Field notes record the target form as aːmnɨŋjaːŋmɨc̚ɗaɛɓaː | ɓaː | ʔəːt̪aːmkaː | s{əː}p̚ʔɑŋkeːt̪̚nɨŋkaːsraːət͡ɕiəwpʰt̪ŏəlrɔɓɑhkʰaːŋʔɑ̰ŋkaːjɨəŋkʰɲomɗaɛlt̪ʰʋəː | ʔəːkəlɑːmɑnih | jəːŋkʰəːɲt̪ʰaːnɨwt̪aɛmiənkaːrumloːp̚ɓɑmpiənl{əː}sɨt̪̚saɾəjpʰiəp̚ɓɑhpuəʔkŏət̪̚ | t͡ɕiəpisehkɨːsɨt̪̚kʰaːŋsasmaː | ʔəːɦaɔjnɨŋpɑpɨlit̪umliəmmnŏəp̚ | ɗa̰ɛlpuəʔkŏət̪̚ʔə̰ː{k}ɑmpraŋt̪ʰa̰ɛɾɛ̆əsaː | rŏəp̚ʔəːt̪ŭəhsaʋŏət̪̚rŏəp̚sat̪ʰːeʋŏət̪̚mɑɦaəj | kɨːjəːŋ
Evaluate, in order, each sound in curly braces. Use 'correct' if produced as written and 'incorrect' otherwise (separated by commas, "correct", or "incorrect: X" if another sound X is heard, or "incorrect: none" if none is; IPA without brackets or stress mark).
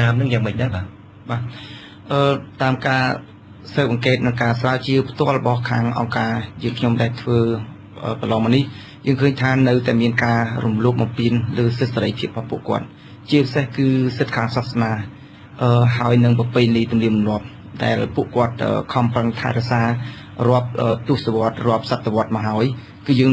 correct, correct, incorrect: kʰ